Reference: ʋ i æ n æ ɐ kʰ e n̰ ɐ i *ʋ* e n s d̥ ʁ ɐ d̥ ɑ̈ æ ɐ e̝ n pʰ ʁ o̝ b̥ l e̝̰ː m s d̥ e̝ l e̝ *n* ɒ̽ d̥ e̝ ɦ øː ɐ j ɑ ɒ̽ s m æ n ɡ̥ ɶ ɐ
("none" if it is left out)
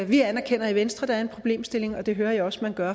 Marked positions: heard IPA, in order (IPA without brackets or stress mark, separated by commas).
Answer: ʋ, ŋ